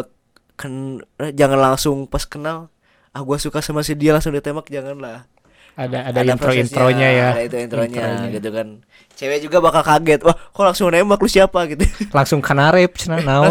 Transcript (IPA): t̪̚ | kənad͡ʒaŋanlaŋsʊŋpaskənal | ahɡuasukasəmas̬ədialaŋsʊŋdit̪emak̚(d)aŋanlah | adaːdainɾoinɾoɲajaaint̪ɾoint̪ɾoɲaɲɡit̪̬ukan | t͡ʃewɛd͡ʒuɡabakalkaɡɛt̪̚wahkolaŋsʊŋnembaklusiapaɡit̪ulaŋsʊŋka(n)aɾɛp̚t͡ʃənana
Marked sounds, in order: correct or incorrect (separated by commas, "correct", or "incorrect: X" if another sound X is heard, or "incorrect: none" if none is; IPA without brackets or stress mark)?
incorrect: d͡ʒ, correct